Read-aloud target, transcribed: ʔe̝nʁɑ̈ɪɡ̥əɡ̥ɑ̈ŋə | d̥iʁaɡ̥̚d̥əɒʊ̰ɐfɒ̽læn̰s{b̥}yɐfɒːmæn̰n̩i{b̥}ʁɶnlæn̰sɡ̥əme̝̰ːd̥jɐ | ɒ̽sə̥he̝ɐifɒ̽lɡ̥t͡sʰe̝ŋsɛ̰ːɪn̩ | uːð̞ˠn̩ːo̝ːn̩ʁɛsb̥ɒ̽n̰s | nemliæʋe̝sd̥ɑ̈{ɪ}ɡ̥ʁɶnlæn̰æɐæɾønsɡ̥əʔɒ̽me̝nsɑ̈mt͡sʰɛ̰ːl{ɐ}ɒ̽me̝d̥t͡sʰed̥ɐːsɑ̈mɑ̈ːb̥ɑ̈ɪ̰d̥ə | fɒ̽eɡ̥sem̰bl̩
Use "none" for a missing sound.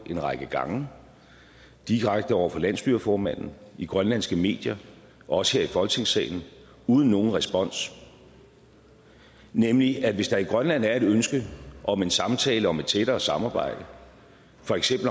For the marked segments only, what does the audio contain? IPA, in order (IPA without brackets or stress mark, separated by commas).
b̥, ɡ̥, i, ə